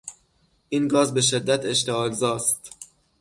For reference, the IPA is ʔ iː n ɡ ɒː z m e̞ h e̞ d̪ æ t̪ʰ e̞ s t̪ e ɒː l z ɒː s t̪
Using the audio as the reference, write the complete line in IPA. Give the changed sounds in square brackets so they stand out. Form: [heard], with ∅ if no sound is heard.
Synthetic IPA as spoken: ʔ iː n ɡ ɒː z [b] e̞ [ʃ] e̞ [d̪ː] æ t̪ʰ e̞ [ʃ] t̪ e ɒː l z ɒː s t̪